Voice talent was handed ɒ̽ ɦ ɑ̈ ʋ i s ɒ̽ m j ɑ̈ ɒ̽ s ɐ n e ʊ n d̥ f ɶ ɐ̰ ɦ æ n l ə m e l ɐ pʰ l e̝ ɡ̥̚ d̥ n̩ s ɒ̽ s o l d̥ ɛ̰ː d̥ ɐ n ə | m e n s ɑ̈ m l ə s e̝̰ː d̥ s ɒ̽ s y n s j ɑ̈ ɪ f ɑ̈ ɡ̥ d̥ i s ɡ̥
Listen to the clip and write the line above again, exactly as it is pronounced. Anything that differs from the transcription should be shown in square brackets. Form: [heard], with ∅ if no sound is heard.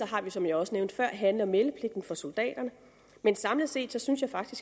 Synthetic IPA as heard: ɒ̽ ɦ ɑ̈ ʋ i s ɒ̽ m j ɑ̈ ɒ̽ s [ə] n e ʊ n d̥ f ɶ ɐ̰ ɦ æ n l [ɐ] m e l [ə] pʰ l e̝ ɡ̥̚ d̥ n̩ [f] ɒ̽ s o l d̥ ɛ̰ː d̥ ɐ n ə | m e n s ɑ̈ m l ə s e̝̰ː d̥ s ɒ̽ s y n s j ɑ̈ ɪ f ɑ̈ ɡ̥ d̥ i s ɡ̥

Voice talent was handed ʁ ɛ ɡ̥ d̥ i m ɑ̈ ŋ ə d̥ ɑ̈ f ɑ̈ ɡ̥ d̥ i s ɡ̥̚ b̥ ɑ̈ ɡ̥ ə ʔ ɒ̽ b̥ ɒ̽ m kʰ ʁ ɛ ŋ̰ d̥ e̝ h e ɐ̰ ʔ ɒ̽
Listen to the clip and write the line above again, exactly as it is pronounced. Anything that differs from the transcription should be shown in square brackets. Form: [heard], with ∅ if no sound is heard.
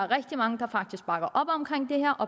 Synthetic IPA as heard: ʁ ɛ ɡ̥ d̥ i m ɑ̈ ŋ ə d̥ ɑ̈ f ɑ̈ ɡ̥ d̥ i s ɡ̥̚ b̥ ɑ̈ ɡ̥ [ɐ] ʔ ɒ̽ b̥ ɒ̽ m kʰ ʁ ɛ ŋ̰ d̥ e̝ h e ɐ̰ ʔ ɒ̽

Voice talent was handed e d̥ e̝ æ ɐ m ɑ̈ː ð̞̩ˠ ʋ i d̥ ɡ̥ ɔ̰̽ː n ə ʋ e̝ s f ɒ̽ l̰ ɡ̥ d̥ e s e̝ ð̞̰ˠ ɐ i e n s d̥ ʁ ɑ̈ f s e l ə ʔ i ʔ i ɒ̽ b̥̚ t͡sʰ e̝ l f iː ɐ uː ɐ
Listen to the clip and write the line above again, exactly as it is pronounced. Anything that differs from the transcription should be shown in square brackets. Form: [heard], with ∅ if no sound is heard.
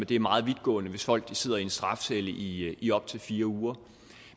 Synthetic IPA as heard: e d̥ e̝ æ ɐ m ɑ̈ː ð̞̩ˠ ʋ i d̥ ɡ̥ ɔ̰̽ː n ə ʋ e̝ s f ɒ̽ l̰ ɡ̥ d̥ [i] s e̝ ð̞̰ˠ ɐ i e n s d̥ ʁ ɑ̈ f s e l ə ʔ i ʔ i ɒ̽ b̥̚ t͡sʰ e̝ l f iː ɐ uː ɐ

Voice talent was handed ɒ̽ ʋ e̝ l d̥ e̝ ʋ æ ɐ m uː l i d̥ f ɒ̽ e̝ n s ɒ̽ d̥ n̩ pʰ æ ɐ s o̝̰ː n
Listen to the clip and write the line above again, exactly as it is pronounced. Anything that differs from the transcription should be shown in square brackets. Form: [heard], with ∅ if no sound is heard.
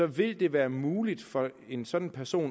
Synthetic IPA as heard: ɒ̽ ʋ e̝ l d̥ e̝ ʋ [æː] ɐ m uː l i d̥ f ɒ̽ e̝ n s ɒ̽ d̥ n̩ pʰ æ ɐ s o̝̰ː n

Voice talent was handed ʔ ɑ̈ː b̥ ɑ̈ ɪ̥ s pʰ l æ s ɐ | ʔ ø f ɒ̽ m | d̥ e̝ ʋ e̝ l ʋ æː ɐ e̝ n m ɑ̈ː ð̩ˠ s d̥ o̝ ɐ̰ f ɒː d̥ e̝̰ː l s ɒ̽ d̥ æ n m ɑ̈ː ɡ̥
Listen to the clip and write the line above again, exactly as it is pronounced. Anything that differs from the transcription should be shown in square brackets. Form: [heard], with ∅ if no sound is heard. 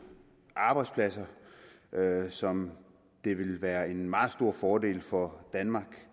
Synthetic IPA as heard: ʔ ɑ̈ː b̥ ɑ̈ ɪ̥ s pʰ l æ s ɐ | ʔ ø [s] ɒ̽ m | d̥ e̝ ʋ e̝ l ʋ æː ɐ e̝ n m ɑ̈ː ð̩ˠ s d̥ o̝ ɐ̰ f ɒː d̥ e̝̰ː l [f] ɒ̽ d̥ æ n m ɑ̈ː ɡ̥

